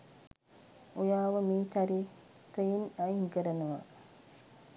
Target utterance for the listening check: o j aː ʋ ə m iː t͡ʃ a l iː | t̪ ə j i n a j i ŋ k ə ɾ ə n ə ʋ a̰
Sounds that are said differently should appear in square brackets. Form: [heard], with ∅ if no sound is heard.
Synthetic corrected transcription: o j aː ʋ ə m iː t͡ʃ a [ɾ] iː | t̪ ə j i n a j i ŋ k ə ɾ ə n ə ʋ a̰